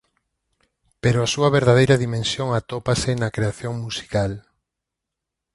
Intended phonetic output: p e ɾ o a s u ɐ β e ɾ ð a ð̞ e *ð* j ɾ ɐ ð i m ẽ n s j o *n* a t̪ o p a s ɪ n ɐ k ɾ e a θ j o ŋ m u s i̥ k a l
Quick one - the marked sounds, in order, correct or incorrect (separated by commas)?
incorrect, incorrect